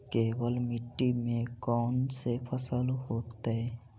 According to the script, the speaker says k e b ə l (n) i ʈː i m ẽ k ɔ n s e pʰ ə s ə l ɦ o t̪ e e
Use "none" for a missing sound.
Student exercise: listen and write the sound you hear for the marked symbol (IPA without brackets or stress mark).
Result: m